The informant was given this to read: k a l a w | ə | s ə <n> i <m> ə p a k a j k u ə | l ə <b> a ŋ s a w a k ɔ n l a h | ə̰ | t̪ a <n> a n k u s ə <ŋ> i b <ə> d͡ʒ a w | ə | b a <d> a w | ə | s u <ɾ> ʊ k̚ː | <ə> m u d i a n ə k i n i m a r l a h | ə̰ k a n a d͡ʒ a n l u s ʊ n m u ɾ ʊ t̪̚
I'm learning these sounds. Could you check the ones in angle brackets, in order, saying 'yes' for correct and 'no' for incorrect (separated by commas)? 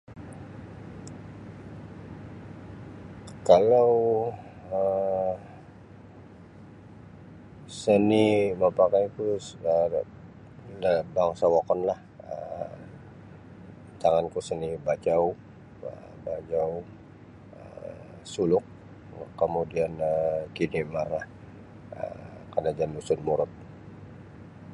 yes, yes, yes, no, no, no, no, no, yes